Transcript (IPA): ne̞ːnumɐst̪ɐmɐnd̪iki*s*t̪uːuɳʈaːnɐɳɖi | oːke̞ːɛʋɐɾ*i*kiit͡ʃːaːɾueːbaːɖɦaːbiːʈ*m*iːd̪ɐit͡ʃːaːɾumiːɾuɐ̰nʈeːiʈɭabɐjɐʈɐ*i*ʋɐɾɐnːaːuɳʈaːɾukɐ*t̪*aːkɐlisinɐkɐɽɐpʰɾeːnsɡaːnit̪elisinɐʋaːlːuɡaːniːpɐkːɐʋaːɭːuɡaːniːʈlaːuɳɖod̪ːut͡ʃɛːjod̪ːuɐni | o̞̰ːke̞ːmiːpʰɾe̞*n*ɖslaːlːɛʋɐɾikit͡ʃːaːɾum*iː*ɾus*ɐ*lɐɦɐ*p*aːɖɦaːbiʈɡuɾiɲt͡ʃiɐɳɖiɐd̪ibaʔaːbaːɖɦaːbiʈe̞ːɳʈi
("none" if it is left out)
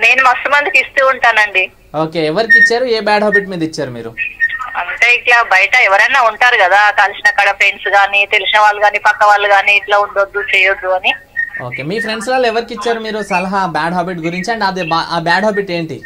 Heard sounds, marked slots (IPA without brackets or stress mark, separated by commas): s, i, m, ɛ, d̪, ɳ, iː, ɐ, b